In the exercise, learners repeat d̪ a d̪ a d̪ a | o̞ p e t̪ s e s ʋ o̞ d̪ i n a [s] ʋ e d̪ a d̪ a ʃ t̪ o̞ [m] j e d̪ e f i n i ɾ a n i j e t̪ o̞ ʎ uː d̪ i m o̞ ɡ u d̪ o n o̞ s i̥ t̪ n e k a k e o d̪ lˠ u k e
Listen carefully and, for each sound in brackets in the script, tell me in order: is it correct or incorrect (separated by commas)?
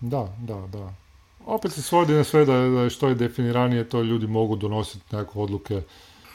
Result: correct, incorrect